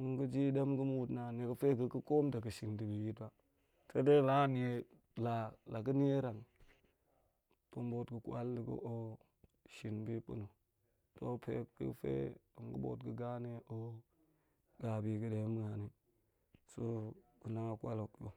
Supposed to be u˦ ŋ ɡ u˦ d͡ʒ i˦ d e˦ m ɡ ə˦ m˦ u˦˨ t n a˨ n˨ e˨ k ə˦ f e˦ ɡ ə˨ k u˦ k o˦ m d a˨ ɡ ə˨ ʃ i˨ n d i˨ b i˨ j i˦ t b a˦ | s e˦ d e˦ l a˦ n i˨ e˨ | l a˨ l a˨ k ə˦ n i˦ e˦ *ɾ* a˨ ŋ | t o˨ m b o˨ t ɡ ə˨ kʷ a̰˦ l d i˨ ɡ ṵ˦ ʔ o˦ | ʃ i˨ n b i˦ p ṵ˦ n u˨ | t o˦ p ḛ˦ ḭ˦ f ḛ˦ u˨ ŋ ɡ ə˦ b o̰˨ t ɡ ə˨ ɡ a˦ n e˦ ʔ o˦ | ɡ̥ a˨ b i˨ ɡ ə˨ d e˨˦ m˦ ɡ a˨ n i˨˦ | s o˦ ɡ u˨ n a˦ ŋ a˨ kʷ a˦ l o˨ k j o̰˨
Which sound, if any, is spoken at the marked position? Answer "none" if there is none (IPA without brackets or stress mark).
ɾ